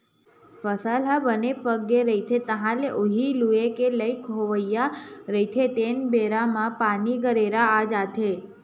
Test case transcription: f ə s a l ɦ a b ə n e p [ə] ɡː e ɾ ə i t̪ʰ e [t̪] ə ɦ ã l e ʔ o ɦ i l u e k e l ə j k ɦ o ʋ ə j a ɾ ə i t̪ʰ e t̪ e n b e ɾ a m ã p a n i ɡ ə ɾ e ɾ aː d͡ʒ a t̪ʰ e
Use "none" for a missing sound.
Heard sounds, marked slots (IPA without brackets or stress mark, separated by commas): ə, t̪